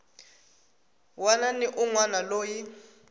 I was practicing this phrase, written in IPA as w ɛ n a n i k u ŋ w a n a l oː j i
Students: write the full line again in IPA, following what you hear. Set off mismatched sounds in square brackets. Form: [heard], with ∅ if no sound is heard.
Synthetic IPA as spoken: w [a] n a n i [ʔ] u ŋ w a n a l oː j i